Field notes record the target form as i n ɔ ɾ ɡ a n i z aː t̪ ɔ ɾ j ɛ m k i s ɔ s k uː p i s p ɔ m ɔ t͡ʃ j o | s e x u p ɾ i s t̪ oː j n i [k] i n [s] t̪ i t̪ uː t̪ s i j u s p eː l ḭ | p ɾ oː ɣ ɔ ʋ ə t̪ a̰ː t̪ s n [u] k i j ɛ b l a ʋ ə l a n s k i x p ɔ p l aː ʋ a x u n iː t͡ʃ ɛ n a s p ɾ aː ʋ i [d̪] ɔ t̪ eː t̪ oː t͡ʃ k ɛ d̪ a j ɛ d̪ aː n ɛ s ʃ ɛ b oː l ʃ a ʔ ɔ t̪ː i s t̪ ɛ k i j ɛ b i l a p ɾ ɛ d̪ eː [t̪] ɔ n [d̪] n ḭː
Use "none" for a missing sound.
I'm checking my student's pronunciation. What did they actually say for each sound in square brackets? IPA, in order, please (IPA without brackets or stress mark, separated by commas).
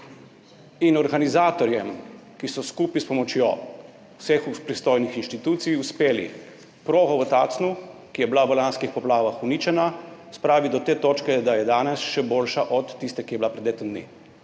x, ʃ, u, d̪, t̪, d̪